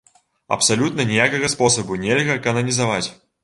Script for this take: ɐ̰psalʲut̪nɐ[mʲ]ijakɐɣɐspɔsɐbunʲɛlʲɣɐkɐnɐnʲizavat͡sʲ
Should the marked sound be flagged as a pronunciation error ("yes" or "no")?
yes